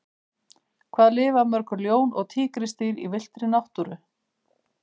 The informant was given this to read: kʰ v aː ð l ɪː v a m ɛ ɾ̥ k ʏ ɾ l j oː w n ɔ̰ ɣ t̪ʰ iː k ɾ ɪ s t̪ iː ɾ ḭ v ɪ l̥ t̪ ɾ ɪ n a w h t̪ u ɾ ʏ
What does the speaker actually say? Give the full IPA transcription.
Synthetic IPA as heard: kʰ v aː ð l ɪː v a m œ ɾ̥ k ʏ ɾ l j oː w n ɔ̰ ɣ t̪ʰ iː k ɾ ɪ s t̪ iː ɾ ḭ v ɪ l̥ t̪ ɾ ɪ n a w h t̪ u ɾ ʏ